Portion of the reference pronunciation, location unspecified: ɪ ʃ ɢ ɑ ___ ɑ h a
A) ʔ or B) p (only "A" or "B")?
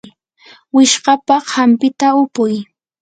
B